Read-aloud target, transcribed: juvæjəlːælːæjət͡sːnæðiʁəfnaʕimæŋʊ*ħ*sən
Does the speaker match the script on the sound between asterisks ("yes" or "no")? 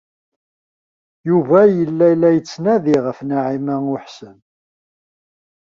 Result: yes